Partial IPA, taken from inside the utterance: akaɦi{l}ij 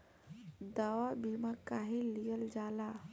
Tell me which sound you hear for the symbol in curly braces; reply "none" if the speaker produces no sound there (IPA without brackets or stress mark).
l